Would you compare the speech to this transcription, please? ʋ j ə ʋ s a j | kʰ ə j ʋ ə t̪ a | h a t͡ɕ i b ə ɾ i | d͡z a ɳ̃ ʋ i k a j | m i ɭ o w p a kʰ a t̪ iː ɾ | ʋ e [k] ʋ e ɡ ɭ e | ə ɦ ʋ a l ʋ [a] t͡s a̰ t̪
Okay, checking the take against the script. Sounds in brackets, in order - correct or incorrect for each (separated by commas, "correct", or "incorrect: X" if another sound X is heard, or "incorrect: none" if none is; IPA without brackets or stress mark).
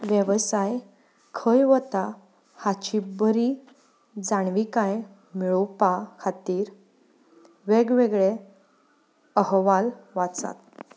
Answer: incorrect: ɡ, correct